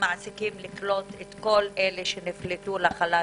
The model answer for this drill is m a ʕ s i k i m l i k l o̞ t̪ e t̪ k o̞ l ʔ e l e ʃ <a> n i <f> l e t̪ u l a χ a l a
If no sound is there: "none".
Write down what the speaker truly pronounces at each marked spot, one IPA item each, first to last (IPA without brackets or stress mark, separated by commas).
e, f